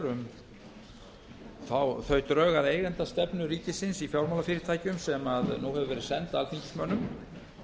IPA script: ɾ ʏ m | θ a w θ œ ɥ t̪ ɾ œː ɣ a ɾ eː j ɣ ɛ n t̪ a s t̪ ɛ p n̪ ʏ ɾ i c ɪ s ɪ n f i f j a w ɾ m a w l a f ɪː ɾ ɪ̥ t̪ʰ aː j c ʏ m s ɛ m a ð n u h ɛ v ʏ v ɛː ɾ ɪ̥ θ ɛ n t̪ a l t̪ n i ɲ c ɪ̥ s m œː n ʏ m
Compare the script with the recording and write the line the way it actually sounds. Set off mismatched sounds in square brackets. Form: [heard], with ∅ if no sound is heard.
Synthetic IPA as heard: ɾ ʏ m | θ a w θ œ ɥ t̪ ɾ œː ɣ a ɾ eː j ɣ ɛ n t̪ a s t̪ ɛ p n̪ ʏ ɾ [iː] c ɪ s ɪ n [s] i f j a w ɾ m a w l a f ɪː ɾ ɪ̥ t̪ʰ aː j c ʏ m s ɛ m a ð n u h ɛ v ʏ v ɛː ɾ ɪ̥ [s] ɛ n t̪ a l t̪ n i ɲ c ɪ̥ s m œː n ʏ m